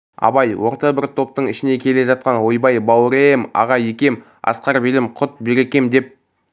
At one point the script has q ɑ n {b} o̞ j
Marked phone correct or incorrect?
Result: incorrect